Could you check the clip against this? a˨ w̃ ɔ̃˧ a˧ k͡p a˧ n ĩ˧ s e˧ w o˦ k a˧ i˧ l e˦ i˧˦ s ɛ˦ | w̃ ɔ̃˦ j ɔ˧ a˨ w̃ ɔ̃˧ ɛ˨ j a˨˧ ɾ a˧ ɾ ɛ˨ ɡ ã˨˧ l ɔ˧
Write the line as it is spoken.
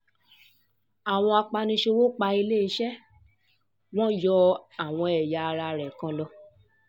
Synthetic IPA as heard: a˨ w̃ ɔ̃˧ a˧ k͡p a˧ n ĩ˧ ʃ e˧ w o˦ k͡p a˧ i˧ l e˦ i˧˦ ʃ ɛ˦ | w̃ ɔ̃˦ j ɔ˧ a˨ w̃ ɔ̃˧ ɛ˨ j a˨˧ ɾ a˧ ɾ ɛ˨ k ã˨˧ l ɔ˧